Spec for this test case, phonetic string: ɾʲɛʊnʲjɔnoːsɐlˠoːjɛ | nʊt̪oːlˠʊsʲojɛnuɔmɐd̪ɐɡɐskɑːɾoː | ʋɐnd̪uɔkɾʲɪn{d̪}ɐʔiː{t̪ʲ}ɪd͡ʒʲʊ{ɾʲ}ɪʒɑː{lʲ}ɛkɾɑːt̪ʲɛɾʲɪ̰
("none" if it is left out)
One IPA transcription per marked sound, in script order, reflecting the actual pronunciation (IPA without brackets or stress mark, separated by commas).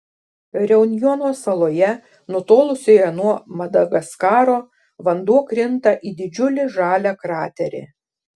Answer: t̪, d̪ʲ, lʲ, lʲ